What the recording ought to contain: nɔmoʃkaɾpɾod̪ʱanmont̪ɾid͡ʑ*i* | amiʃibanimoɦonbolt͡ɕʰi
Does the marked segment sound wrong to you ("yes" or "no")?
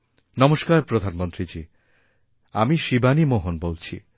no